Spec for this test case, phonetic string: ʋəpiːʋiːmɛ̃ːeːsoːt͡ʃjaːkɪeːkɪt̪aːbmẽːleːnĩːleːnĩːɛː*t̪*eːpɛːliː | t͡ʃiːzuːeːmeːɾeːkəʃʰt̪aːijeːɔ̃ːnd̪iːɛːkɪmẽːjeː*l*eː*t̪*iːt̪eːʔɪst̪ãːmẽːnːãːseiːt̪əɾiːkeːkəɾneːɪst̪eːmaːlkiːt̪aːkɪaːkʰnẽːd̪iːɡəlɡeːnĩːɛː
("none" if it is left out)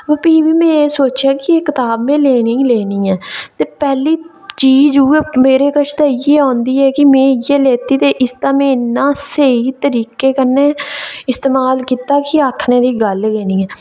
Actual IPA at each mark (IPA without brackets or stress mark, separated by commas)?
t̪, l, t̪